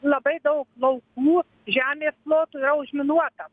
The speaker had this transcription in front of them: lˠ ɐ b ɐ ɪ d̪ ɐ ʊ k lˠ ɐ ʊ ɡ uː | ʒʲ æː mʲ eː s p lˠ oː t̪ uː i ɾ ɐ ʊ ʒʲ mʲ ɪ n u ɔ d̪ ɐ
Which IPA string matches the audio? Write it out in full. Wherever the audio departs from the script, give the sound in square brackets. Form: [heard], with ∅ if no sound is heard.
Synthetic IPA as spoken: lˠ ɐ b ɐ ɪ d̪ ɐ ʊ k lˠ ɐ ʊ [k] uː | ʒʲ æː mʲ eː s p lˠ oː t̪ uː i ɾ ɐ ʊ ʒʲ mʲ ɪ n u ɔ [t̪] ɐ